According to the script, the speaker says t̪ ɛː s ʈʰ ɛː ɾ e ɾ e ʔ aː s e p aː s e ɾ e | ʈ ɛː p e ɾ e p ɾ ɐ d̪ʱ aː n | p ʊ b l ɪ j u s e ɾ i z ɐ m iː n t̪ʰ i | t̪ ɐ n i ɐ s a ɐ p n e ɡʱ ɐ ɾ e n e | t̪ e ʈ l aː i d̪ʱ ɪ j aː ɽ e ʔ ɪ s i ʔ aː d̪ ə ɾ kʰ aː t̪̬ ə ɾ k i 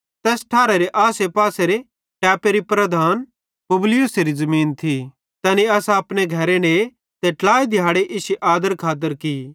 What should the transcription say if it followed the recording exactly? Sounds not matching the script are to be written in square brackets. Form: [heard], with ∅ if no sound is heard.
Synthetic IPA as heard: t̪ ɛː s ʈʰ [aː] ɾ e ɾ e ʔ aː s e p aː s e ɾ e | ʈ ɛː p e ɾ [i] p ɾ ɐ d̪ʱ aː n | p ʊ b l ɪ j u s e ɾ i z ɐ m iː n t̪ʰ i | t̪ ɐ n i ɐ s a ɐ p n e ɡʱ ɐ ɾ e n e | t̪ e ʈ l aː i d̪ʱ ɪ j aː ɽ e ʔ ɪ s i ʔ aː d̪ ə ɾ kʰ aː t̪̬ ə ɾ k i

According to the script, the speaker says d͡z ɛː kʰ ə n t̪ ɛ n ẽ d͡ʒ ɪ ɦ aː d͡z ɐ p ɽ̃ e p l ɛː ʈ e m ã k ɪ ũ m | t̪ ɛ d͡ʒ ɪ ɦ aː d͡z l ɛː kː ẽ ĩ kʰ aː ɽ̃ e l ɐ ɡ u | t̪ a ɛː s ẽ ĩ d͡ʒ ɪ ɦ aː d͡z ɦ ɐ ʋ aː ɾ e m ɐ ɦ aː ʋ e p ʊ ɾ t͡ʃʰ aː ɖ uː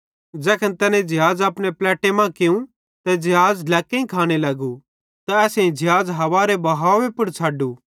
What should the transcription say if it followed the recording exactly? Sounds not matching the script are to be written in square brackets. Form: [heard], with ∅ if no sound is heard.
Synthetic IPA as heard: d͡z ɛː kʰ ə n t̪ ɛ n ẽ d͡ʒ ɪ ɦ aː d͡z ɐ p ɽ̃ e p l ɛː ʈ e m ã k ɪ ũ [∅] | t̪ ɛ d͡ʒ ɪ ɦ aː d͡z l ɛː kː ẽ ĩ kʰ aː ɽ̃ e l ɐ ɡ u | t̪ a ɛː s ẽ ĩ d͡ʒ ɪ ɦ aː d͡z ɦ ɐ ʋ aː ɾ e [b] ɐ ɦ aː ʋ e p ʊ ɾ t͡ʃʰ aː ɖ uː

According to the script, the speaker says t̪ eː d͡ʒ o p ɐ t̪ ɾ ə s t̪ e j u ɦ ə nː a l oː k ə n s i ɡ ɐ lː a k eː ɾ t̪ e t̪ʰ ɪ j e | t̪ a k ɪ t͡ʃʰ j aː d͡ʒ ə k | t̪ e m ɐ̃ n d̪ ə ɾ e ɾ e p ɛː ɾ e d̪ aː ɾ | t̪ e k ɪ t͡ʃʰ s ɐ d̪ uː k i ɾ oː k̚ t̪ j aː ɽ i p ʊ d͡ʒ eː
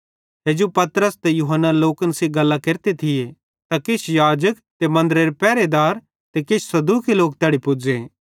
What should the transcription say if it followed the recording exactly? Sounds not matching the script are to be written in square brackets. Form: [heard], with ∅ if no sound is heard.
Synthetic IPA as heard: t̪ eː d͡ʒ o p ɐ t̪ ɾ ə s t̪ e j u ɦ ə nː a l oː k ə n s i ɡ ɐ lː a k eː ɾ t̪ e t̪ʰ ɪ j e | t̪ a k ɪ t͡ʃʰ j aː d͡ʒ ə k | t̪ e m ɐ̃ n d̪ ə ɾ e ɾ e p ɛː ɾ e d̪ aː ɾ | t̪ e k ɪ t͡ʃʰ s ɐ d̪ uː k i [l] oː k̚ t̪ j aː ɽ i p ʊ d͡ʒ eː

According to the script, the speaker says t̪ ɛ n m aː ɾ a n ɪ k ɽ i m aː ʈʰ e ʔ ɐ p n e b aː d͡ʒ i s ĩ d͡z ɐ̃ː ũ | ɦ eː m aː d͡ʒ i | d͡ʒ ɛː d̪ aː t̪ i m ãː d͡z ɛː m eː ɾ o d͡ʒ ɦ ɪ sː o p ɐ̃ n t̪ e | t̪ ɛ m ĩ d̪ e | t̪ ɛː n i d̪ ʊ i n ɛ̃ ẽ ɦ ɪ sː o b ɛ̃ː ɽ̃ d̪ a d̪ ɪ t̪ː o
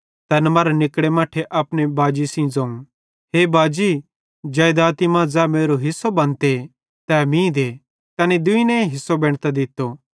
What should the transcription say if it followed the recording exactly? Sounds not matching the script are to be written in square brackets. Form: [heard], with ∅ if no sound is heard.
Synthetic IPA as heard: t̪ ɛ n m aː ɾ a n ɪ k ɽ [e] m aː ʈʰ e ʔ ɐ p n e b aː d͡ʒ i s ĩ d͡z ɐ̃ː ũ | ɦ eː [b] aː d͡ʒ i | d͡ʒ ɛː d̪ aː t̪ i m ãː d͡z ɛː m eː ɾ o [∅] ɦ ɪ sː o [b] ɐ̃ n t̪ e | t̪ ɛ m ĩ d̪ e | t̪ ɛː n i d̪ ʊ i n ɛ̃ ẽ ɦ ɪ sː o b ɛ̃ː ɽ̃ [t̪] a d̪ ɪ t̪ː o

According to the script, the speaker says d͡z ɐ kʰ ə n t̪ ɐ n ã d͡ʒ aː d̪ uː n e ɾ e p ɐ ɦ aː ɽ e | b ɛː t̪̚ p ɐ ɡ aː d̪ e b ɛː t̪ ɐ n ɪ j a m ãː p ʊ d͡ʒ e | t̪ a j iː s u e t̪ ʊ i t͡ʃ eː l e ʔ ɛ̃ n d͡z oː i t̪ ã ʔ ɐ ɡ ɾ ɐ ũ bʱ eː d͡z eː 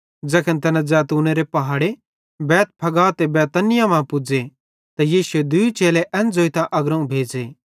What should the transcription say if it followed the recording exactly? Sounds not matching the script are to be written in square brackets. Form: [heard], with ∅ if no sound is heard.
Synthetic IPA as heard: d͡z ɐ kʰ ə n t̪ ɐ n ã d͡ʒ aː [t̪] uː n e ɾ e p ɐ ɦ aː ɽ e | b ɛː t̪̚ [pʰ] ɐ ɡ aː [t̪] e b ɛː t̪ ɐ n ɪ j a m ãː p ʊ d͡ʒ e | t̪ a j iː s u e [d̪] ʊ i t͡ʃ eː l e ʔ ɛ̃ n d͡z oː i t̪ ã ʔ ɐ ɡ ɾ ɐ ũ bʱ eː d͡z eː

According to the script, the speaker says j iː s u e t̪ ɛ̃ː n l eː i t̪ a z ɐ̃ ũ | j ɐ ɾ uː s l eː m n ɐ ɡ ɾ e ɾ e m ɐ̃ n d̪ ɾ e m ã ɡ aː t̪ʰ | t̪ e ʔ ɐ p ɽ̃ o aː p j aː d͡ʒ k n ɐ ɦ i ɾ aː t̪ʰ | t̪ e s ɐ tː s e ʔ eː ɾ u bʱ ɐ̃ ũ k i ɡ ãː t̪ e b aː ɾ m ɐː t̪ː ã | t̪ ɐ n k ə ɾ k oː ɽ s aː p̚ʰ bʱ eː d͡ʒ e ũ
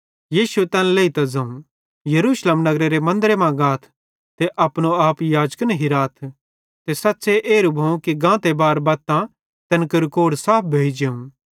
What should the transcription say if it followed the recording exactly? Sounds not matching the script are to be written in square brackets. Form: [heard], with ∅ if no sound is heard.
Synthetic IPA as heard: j iː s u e t̪ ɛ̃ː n l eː i t̪ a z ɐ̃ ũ | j ɐ ɾ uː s l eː m n ɐ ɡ ɾ e ɾ e m ɐ̃ n d̪ ɾ e m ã ɡ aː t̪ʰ | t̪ e ʔ ɐ p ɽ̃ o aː p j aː d͡ʒ k n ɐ ɦ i ɾ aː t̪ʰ | t̪ e s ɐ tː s e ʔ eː ɾ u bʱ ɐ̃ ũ k i ɡ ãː t̪ e b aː ɾ [b] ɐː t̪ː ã | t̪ ɐ n k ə ɾ k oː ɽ s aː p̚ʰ bʱ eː d͡ʒ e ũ

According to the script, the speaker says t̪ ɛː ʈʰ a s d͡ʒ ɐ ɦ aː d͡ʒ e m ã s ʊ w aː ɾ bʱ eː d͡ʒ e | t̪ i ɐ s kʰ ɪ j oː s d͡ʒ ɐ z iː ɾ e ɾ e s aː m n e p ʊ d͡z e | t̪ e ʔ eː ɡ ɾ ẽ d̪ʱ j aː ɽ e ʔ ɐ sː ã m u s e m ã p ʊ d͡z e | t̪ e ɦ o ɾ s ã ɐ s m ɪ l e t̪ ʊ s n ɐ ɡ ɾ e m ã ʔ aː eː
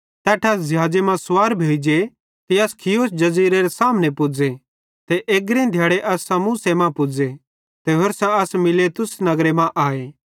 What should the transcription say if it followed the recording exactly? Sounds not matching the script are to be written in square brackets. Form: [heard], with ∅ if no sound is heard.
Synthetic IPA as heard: t̪ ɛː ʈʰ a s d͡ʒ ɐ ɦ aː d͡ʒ e m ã s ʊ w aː ɾ bʱ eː d͡ʒ e | t̪ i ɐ s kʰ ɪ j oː s d͡ʒ ɐ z iː ɾ e ɾ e s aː m n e p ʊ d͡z e | t̪ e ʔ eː ɡ ɾ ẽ d̪ʱ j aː ɽ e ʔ ɐ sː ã m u s e m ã p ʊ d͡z e | t̪ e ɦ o ɾ s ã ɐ s m ɪ l e t̪ ʊ s n ɐ ɡ ɾ e m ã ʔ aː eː

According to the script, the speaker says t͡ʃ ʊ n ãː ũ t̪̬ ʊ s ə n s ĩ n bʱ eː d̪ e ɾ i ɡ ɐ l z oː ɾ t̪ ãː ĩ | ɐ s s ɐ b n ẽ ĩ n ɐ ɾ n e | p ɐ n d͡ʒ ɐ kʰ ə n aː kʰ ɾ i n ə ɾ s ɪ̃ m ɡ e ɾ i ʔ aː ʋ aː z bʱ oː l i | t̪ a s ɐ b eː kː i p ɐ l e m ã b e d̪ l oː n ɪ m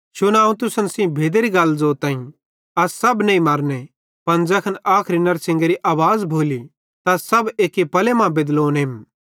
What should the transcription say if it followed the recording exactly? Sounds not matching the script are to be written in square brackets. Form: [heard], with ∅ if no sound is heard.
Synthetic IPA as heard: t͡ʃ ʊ n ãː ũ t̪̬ ʊ s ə n s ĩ [∅] bʱ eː d̪ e ɾ i ɡ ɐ l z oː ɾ t̪ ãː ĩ | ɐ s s ɐ b n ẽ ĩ [m] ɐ ɾ n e | p ɐ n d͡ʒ ɐ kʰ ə n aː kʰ ɾ i n [ɐ] ɾ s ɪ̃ [ŋ] ɡ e ɾ i ʔ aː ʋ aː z bʱ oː l i | t̪ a s ɐ b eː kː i p ɐ l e m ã b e d̪ l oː n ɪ m

